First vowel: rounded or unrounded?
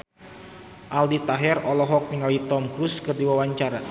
unrounded